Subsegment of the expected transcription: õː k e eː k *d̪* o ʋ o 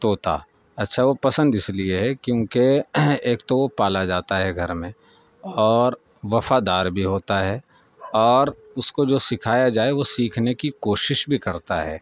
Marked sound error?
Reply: yes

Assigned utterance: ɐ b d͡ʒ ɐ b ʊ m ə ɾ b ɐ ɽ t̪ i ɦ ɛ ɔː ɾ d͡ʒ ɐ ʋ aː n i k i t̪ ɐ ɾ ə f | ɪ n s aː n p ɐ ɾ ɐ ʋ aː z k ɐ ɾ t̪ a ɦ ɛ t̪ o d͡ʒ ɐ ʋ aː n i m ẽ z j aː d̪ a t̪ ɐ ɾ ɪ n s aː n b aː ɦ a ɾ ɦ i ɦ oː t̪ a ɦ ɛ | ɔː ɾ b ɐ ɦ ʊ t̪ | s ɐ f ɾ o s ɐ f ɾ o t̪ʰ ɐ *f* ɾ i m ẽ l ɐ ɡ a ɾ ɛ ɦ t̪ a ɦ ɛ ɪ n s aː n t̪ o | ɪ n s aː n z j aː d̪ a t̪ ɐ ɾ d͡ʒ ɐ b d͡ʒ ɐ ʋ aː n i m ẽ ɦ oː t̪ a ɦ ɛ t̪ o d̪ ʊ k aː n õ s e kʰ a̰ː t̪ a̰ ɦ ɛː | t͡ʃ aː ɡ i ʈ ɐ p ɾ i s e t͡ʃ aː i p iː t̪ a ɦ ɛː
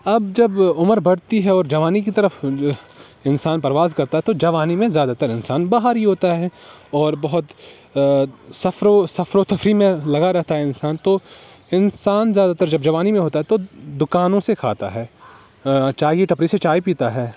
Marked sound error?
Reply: no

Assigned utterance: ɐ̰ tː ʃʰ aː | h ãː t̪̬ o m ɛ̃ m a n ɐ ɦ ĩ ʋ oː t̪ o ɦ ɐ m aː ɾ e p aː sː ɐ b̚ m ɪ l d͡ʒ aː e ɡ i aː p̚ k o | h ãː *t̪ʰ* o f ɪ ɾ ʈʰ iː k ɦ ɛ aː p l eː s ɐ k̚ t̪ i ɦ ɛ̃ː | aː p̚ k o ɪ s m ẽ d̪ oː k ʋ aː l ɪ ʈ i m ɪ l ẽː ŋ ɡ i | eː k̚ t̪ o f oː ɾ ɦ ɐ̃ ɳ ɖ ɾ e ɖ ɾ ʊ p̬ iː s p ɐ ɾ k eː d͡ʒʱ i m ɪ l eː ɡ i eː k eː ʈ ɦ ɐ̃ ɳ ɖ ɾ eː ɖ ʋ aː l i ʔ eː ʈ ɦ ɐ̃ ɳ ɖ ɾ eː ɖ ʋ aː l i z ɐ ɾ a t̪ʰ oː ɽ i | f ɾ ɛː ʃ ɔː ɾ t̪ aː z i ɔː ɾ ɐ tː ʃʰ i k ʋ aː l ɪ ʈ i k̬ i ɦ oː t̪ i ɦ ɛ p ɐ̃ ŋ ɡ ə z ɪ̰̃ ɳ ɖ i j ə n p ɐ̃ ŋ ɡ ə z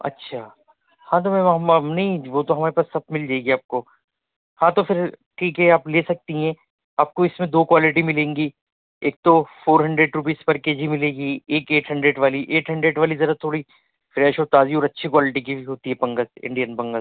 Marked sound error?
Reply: yes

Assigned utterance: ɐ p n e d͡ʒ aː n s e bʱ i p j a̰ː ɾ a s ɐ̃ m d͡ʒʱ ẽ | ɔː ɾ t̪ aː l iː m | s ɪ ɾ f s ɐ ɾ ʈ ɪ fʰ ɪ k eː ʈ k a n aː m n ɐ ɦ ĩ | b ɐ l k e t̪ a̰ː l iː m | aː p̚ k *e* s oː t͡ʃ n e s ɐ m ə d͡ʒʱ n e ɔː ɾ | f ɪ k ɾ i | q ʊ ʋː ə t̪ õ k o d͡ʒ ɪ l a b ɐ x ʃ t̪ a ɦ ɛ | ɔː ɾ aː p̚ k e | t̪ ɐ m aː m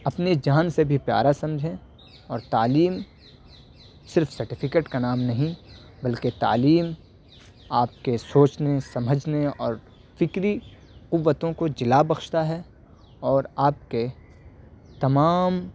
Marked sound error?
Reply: no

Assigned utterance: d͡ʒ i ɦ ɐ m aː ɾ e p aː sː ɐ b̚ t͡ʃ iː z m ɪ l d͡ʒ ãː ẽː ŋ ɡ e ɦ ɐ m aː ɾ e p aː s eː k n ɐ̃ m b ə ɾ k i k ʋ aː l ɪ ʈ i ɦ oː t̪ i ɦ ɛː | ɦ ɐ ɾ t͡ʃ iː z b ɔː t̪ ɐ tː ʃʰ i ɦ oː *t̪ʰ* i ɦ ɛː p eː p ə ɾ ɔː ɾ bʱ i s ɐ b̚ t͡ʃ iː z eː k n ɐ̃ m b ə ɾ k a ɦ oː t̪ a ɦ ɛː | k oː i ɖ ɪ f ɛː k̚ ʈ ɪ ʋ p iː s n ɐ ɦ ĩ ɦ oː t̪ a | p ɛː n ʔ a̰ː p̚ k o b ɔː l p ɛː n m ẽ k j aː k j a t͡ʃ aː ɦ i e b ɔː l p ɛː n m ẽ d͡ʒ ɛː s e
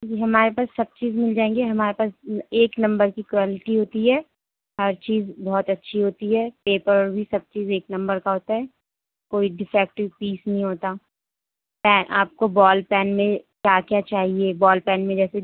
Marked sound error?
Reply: yes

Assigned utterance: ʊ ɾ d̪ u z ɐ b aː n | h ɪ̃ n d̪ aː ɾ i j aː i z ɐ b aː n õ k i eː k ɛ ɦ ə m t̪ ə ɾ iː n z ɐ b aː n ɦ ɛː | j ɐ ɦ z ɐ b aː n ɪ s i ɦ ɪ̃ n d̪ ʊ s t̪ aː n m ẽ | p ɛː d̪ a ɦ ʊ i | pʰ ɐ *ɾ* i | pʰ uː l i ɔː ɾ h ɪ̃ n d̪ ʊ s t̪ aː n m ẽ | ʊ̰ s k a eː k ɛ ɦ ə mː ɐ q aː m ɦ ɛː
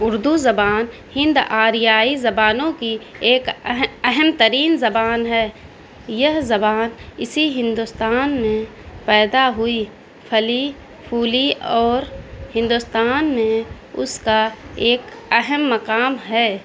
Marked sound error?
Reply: yes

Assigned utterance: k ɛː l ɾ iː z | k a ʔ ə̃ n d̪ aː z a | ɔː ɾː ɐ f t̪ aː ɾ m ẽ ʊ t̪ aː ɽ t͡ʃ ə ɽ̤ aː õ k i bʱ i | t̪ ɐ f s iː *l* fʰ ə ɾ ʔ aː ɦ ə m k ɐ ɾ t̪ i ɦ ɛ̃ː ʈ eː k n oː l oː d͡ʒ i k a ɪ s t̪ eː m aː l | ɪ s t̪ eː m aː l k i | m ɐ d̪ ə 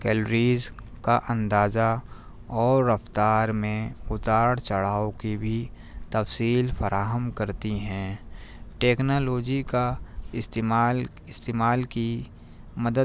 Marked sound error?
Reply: no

